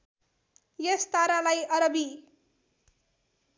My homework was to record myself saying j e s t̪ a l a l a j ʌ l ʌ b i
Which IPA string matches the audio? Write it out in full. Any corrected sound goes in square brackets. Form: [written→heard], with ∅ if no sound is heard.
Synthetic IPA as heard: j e s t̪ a [l→ɾ] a l a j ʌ [l→ɾ] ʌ b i